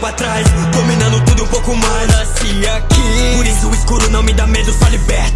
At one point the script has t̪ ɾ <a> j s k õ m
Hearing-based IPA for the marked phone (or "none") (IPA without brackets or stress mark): a